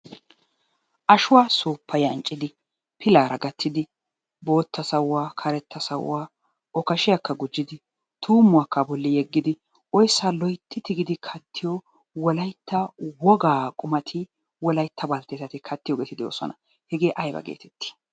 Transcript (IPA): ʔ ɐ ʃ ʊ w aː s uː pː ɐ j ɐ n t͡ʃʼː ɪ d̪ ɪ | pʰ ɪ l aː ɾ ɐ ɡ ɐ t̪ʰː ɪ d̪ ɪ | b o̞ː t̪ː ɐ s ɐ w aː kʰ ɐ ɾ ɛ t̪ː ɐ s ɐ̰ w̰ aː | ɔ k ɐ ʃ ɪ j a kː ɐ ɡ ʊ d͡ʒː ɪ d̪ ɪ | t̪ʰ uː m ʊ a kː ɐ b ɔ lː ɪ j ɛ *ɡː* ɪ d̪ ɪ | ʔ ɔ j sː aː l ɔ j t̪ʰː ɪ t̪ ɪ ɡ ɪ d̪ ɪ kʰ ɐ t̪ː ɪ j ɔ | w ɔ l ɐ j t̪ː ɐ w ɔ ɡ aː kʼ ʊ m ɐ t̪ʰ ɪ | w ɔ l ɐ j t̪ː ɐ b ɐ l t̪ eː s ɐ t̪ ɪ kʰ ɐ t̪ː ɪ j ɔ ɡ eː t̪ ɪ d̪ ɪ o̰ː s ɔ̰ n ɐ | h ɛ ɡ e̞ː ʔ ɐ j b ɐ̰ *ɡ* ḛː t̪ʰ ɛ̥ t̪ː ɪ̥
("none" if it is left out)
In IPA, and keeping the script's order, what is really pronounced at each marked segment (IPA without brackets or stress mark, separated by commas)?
ɡː, ɡ